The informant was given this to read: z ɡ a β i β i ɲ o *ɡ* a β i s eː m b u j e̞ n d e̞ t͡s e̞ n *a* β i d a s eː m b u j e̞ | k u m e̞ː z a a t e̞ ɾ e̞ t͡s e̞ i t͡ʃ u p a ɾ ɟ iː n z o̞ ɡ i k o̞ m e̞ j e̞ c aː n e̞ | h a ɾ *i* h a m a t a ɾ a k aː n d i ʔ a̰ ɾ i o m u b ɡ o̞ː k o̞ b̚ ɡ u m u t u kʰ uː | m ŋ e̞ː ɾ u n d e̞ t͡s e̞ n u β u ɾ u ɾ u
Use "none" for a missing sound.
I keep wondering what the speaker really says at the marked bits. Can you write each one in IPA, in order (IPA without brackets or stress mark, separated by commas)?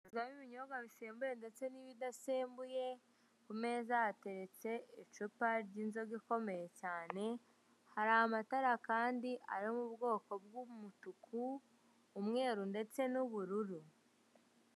ɡ, i, a